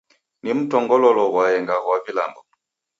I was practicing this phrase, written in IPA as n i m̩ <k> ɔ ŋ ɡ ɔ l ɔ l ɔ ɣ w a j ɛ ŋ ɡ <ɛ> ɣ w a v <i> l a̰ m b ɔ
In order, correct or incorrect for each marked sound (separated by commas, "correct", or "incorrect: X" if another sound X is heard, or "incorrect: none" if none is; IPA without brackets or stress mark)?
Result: incorrect: t, incorrect: a, correct